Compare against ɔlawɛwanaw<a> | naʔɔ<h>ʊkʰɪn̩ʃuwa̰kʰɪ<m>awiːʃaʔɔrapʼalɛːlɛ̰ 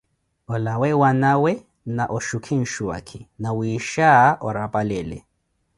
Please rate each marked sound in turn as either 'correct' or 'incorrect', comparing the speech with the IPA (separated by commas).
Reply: incorrect, incorrect, incorrect